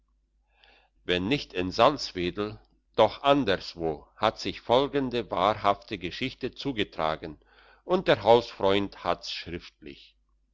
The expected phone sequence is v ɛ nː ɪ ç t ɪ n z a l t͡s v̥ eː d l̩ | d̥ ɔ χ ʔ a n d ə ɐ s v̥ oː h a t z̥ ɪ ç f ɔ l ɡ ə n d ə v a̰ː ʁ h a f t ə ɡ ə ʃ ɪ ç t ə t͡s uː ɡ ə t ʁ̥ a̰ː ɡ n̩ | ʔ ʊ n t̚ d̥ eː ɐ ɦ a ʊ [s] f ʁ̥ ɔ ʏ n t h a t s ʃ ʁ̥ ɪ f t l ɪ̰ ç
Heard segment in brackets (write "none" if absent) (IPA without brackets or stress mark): s